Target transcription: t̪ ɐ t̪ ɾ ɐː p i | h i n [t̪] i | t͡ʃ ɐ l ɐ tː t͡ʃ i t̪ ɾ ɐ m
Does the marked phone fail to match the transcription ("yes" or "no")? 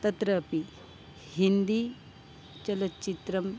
yes